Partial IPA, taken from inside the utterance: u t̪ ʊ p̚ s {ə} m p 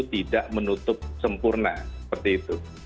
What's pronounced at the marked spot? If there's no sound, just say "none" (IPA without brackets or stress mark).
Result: ə